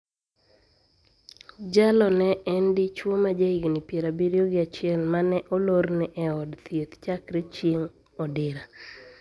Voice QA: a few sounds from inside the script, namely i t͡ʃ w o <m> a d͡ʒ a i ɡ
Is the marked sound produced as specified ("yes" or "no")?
yes